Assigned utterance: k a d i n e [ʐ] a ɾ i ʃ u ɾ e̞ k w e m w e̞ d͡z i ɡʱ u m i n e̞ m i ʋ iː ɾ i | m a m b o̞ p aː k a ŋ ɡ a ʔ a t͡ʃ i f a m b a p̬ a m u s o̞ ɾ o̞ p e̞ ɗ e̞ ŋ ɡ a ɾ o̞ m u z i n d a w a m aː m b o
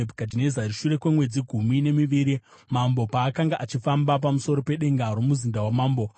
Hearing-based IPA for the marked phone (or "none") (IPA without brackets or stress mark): z